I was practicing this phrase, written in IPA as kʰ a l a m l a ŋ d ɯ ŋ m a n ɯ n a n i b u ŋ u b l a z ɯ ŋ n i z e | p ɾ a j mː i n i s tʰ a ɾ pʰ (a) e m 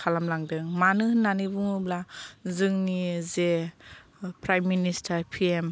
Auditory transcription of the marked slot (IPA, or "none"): i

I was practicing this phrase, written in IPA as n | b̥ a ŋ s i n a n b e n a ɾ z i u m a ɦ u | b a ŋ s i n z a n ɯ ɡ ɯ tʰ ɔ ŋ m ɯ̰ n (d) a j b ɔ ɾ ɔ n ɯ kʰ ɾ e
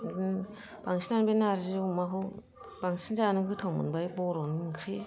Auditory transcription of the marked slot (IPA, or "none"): b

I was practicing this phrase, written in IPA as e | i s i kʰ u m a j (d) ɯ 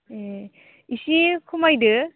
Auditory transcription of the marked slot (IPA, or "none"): d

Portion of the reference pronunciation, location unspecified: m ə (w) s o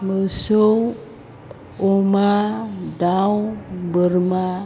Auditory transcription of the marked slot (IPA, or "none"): none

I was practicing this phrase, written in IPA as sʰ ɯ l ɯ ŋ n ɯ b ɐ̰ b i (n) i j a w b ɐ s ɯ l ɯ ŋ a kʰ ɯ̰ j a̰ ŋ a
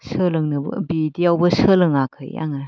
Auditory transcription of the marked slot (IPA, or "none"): d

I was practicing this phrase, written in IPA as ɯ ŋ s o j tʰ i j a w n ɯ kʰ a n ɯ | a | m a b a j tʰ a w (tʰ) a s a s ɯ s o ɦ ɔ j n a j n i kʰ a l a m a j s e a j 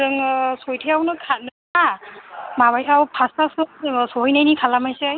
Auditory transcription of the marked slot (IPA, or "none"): pʰ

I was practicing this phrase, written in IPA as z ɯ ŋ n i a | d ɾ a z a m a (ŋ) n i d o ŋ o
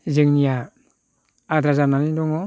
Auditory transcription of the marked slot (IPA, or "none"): none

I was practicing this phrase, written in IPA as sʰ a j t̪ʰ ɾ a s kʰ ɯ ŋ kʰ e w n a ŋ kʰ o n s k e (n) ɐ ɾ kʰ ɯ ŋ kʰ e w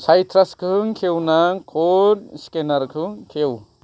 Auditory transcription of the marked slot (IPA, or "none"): n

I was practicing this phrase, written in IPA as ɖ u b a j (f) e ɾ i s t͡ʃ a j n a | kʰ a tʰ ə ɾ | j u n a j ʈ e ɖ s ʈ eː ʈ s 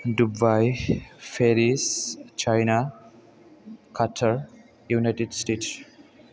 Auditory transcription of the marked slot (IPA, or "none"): f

